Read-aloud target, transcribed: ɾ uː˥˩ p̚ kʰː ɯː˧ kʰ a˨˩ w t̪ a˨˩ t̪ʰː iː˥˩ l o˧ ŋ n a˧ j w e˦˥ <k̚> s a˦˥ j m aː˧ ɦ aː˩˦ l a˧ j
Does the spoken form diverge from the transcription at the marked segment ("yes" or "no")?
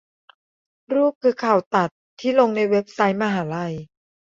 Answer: yes